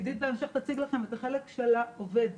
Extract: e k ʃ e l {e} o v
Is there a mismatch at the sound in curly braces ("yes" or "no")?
yes